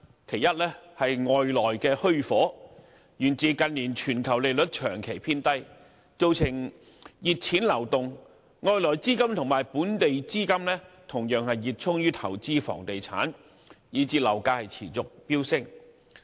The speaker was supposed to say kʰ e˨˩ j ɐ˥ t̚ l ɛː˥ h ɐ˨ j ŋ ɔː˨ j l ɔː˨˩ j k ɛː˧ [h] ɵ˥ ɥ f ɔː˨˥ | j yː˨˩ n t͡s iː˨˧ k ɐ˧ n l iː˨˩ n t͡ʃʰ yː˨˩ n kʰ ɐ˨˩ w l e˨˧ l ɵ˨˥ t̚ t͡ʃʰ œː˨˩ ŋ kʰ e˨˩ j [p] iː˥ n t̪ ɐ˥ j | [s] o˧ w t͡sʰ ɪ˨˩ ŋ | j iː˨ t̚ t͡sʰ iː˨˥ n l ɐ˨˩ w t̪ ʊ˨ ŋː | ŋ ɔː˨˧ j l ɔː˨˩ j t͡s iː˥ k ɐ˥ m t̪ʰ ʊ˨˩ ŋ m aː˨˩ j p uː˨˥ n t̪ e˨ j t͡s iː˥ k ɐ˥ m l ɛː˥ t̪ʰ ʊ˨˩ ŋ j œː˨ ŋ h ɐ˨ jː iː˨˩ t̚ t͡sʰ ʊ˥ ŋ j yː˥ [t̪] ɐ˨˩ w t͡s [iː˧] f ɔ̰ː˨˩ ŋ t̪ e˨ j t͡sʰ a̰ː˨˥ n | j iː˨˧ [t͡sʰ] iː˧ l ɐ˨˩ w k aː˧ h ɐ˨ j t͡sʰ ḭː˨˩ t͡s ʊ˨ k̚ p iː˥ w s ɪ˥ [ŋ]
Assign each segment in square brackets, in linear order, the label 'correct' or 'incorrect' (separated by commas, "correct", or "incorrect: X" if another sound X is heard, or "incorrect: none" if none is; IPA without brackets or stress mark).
correct, incorrect: pʰ, incorrect: t͡s, incorrect: t̪ʰ, incorrect: iː˥, incorrect: t͡s, correct